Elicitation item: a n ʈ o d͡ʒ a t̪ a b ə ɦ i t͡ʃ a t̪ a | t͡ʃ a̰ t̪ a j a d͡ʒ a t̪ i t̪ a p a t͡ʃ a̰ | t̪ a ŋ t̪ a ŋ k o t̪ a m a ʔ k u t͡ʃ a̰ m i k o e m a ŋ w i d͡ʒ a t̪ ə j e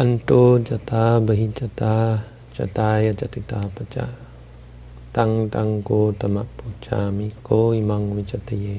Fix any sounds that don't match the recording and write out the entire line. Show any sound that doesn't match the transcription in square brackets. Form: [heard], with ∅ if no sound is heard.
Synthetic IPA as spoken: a n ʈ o d͡ʒ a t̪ a b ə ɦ i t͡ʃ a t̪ a | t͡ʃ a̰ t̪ a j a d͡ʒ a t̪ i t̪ a p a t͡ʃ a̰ | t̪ a ŋ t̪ a ŋ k o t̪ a m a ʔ [p] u t͡ʃ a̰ m i k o [i] m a ŋ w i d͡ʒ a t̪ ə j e